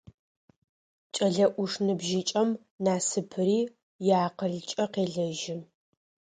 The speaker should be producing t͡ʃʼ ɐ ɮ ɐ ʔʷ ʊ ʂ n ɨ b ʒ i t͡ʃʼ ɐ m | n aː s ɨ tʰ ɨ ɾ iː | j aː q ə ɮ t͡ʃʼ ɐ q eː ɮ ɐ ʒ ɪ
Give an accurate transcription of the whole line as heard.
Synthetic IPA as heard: t͡ʃʼ ɐ ɮ ɐ ʔʷ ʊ ʂ n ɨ b ʒ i t͡ʃʼ ɐ m | n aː s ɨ pʰ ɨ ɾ iː | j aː q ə ɮ t͡ʃʼ ɐ q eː ɮ ɐ ʒ ɪ